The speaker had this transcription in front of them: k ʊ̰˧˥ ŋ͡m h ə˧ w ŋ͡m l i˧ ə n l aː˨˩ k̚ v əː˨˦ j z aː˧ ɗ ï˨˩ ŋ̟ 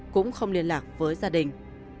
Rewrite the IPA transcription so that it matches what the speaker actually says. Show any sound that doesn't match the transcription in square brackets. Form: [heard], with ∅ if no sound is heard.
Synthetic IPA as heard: k ʊ̰˧˥ ŋ͡m [x] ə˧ w ŋ͡m l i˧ ə n l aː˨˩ k̚ v əː˨˦ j z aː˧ ɗ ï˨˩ ŋ̟